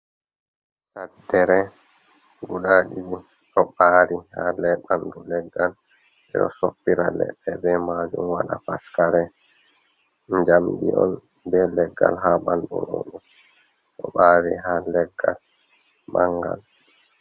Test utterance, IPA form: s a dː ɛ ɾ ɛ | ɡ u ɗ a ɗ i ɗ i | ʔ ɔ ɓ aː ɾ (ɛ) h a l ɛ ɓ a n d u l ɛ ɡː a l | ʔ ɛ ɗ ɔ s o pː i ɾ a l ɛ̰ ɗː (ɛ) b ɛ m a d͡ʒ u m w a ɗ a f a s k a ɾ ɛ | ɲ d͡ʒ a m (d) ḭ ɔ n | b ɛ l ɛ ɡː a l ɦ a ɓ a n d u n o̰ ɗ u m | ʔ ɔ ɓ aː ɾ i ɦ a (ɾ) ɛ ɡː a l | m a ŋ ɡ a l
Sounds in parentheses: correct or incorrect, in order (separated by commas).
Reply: incorrect, correct, correct, incorrect